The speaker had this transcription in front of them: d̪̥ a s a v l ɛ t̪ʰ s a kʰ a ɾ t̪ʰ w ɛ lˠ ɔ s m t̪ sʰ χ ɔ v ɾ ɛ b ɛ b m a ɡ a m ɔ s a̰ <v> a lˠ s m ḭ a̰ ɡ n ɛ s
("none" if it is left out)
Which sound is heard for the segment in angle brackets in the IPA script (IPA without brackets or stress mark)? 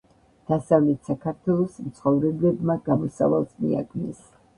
v